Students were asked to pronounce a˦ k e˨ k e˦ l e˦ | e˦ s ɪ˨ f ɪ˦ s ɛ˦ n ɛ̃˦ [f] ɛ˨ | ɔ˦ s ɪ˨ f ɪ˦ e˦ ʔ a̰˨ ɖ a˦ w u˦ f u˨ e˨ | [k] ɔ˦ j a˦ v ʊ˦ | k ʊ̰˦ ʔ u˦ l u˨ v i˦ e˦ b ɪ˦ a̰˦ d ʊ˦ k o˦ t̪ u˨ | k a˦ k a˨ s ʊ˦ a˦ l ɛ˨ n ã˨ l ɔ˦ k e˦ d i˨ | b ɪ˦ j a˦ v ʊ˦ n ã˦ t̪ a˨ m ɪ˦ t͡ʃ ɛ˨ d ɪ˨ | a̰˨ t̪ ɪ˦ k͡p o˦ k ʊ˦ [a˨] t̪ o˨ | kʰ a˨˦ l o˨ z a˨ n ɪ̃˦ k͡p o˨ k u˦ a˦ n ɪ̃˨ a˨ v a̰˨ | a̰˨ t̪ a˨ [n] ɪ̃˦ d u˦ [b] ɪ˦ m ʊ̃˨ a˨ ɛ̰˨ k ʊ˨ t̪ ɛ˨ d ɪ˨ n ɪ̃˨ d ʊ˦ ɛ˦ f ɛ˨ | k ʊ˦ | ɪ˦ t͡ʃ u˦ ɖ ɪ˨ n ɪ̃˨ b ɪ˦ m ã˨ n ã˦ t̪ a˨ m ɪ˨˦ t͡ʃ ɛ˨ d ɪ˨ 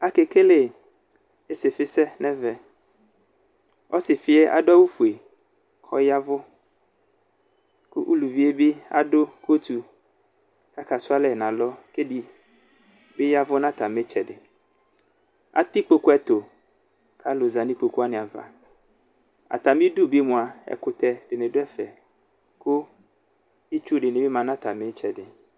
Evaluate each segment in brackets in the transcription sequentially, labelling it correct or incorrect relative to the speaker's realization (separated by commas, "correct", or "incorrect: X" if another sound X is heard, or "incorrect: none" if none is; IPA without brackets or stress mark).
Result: incorrect: v, incorrect: kʰ, incorrect: ɛ˨, incorrect: m, correct